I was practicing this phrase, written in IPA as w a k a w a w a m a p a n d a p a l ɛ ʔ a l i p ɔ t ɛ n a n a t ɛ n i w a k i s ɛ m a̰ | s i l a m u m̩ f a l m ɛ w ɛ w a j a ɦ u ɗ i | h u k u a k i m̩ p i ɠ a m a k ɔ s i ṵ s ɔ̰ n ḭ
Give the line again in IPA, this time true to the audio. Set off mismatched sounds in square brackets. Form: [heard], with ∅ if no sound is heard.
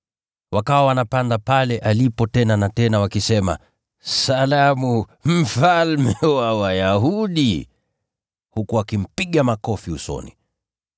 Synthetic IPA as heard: w a k a w a w a [n] a p a n d a p a l ɛ ʔ a l i p ɔ t ɛ n a n a t ɛ n [a] w a k i s ɛ m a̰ | s [a] l a m u m̩ f a l m ɛ w [a] w a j a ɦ u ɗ i | h u k u a k i m̩ p i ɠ a m a k ɔ [f] i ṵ s ɔ̰ n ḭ